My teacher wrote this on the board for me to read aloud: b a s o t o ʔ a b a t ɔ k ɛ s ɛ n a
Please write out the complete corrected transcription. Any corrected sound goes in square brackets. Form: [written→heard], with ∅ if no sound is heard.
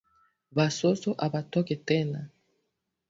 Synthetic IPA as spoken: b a s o [t→s] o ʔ a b a t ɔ k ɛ [s→t] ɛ n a